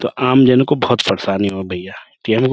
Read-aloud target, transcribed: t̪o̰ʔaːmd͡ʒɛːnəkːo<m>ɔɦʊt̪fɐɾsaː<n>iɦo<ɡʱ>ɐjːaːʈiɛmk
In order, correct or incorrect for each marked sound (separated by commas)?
incorrect, correct, incorrect